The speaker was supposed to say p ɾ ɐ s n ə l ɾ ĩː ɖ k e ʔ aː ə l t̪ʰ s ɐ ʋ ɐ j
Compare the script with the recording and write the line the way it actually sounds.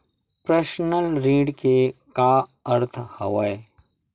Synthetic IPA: p ɾ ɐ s n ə l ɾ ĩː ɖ k e k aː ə ɾ t̪ʰ h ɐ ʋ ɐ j